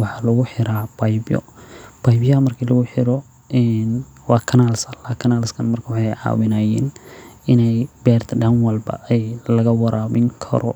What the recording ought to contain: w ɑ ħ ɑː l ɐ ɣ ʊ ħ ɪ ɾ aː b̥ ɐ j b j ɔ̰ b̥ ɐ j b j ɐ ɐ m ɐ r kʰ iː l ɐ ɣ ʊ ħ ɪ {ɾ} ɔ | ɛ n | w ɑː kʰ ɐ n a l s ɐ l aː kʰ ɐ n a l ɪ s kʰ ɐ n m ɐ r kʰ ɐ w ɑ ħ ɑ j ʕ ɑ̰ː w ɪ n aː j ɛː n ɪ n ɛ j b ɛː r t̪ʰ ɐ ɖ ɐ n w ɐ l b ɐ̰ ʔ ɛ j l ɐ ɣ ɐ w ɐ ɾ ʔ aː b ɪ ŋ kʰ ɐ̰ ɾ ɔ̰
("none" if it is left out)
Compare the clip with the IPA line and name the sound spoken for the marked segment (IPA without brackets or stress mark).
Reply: ɾ